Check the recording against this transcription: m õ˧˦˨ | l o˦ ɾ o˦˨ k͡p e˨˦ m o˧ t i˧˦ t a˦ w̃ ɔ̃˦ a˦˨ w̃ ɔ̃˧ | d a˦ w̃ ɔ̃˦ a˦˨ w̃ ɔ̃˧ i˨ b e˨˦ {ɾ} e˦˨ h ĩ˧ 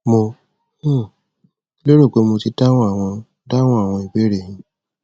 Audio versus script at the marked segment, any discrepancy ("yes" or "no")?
no